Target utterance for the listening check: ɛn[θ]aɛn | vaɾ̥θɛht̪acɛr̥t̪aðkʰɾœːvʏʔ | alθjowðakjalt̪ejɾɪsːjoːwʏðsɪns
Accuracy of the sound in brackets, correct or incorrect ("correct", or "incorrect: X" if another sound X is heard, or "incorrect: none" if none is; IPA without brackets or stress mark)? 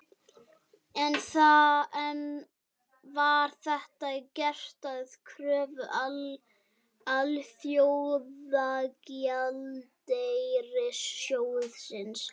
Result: correct